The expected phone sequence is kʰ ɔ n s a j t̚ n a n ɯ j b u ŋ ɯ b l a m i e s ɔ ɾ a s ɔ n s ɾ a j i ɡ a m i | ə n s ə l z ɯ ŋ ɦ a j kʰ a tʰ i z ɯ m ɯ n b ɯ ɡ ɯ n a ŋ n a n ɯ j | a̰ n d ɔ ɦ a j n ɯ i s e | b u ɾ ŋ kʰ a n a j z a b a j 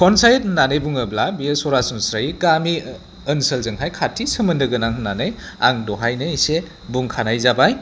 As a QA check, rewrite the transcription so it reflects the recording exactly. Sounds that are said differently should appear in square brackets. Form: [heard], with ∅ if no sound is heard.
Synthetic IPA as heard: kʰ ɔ n s a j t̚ n a n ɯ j b u ŋ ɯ b l a [b] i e s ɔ ɾ a s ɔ n s ɾ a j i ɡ a m i | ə n s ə l z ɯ ŋ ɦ a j kʰ a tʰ i [s] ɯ m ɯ n [d] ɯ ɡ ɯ n a ŋ n a n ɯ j | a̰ [ŋ] d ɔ ɦ a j n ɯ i s e | b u [∅] ŋ kʰ a n a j z a b a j